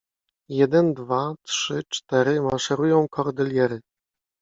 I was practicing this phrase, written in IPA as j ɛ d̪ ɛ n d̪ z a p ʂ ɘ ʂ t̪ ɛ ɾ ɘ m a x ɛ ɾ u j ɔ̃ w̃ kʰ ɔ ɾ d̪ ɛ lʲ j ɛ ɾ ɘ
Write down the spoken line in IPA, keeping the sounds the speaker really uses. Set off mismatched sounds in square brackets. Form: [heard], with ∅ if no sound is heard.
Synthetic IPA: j ɛ d̪ ɛ n d̪ [v] a [t] ʂ ɘ [t͡ʂ] t̪ ɛ ɾ ɘ m a [ʂ] ɛ ɾ u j ɔ̃ w̃ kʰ ɔ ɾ d̪ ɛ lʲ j ɛ ɾ ɘ